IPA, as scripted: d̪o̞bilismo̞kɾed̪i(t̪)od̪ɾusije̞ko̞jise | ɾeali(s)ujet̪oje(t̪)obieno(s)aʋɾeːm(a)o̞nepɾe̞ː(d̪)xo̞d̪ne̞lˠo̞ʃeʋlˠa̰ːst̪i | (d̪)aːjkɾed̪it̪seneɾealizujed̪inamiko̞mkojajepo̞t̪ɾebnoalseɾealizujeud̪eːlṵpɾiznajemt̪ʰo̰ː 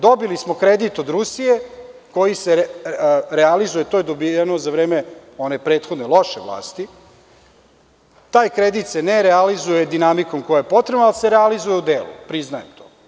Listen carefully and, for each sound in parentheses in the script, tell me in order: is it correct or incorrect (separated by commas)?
correct, incorrect, incorrect, incorrect, incorrect, incorrect, incorrect